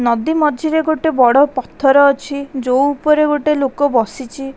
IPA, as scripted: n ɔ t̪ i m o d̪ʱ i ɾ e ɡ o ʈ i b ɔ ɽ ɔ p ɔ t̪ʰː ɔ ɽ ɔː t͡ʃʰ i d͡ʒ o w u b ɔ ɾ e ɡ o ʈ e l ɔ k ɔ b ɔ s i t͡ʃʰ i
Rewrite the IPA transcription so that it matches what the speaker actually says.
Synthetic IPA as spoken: n ɔ d̪ i m ɔ d̪ʱ i ɾ e ɡ o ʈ e b ɔ ɽ ɔ p ɔ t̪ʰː ɔ ɾ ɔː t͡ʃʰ i d͡ʒ o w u p ɔ ɾ e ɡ o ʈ e l o k ɔ b ɔ s i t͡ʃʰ i